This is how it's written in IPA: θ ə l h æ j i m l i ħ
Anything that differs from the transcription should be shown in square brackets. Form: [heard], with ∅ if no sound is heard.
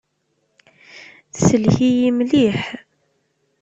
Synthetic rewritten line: [s] ə l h [i] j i m l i ħ

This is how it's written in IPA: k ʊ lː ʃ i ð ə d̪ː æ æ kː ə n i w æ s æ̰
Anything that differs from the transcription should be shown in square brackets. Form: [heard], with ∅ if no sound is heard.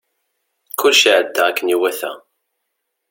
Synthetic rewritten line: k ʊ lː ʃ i [ʕ] ə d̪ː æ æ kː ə n i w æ [θ] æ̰

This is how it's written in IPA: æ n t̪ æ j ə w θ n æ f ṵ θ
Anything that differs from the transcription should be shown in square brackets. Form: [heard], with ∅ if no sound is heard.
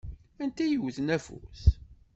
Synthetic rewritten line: æ n t̪ æ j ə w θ n æ f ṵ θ

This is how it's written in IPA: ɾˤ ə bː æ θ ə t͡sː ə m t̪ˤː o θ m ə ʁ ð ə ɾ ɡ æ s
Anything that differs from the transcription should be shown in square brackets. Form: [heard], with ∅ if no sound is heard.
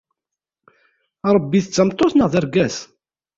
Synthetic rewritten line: ɾˤ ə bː [i] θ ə t͡sː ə m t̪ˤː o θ [n] ə ʁ ð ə ɾ ɡ æ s

